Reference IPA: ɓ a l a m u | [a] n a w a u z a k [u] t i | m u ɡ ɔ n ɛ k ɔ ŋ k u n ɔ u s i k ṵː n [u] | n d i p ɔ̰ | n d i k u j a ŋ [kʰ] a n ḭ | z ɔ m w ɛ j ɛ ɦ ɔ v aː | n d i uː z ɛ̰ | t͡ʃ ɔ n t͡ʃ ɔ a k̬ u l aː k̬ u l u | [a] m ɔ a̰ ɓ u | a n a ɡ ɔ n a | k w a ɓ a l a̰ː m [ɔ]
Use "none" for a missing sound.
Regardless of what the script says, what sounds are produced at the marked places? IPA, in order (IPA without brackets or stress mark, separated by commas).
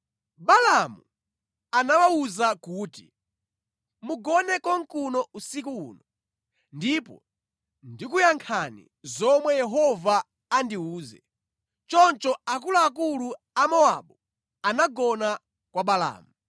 a, uː, ɔ, kʰ, a, u